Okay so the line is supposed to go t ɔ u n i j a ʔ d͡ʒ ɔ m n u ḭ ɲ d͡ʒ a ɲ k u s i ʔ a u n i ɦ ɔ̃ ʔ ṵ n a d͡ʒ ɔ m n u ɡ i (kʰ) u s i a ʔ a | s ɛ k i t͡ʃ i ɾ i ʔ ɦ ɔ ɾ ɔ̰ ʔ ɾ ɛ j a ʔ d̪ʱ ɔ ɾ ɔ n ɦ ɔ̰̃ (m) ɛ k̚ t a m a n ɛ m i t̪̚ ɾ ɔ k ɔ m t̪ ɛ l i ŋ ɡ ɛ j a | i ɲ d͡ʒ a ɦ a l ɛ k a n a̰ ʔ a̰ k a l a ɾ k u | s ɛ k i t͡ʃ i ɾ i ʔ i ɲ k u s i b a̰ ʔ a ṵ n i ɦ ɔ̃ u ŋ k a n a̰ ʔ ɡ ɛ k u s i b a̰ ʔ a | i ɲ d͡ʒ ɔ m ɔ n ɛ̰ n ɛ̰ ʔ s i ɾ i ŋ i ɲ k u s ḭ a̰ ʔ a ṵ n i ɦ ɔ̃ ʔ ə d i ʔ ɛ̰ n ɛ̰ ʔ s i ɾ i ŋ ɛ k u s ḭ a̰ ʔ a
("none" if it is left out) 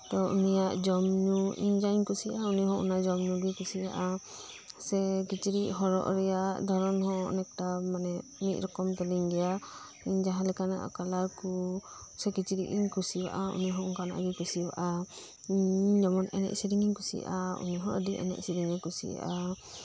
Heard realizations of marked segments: k, n

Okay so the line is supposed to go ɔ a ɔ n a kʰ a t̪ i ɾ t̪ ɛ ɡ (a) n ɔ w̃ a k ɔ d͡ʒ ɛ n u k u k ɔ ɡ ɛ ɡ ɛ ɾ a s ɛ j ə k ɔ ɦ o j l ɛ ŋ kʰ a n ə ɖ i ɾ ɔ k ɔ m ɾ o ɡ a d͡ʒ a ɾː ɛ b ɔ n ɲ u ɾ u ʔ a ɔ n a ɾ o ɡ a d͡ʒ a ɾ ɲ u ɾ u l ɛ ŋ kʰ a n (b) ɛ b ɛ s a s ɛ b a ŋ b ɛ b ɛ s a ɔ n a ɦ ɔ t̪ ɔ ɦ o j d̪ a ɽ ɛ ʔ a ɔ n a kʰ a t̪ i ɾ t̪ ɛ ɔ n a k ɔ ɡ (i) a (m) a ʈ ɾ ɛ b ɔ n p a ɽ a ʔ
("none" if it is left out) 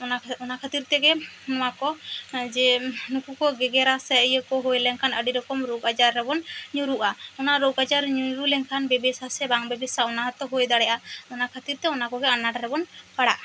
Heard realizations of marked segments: ɛ, b, ɛ, n

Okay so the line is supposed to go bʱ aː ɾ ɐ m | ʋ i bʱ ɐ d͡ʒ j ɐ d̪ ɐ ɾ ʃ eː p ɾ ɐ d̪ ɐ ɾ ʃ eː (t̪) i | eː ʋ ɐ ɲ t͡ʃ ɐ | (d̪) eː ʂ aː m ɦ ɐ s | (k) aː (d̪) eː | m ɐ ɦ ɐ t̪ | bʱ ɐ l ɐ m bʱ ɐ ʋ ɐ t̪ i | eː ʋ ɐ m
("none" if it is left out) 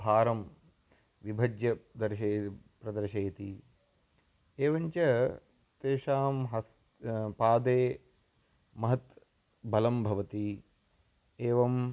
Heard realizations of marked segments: t̪, t̪, p, d̪

